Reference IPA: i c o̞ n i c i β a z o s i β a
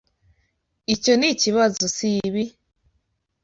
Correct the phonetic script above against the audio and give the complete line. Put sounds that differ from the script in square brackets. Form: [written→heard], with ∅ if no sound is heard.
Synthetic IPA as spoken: i c o̞ n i c i β a z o s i β [a→i]